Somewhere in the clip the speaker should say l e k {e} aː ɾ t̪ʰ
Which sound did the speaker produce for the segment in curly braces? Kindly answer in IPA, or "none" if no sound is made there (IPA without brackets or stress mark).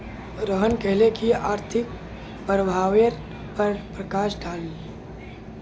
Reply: i